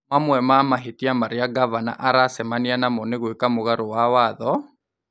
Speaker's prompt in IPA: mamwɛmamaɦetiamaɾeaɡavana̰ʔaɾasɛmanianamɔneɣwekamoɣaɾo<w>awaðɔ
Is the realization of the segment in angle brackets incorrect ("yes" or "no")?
no